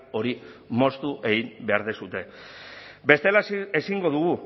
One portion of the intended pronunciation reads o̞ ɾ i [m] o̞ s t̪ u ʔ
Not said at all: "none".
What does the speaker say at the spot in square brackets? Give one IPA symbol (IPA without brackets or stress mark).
m